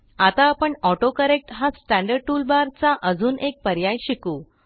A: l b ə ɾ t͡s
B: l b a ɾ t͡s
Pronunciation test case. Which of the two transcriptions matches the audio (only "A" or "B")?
B